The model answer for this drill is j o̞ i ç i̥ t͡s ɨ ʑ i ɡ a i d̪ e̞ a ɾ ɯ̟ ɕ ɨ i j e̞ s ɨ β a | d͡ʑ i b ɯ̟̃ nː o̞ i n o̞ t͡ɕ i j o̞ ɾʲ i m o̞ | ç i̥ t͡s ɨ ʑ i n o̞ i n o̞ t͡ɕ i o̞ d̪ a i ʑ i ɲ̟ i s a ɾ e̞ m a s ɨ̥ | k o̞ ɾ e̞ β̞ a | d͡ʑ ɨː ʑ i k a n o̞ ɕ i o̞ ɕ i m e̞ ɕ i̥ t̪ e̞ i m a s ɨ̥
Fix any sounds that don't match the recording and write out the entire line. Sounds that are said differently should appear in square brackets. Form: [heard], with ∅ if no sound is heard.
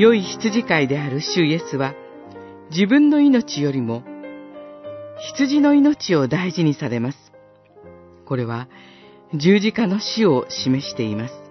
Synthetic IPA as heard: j o̞ i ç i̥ t͡s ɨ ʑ i [k] a i d̪ e̞ a ɾ ɯ̟ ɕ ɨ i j e̞ s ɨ β a | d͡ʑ i b ɯ̟̃ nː o̞ i n o̞ t͡ɕ i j o̞ ɾʲ i m o̞ | ç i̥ t͡s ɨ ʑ i n o̞ i n o̞ t͡ɕ i o̞ d̪ a i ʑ i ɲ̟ i s a ɾ e̞ m a s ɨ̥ | k o̞ ɾ e̞ β̞ a | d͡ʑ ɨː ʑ i k a n o̞ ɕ i o̞ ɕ i m e̞ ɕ i̥ t̪ e̞ i m a s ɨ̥